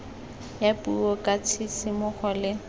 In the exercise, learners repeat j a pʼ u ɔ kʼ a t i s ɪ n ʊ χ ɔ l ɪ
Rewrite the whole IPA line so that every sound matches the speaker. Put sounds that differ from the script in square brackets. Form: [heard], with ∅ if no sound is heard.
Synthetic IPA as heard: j a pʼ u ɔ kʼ a [t͡sʰ] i s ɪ [m] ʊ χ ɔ l ɪ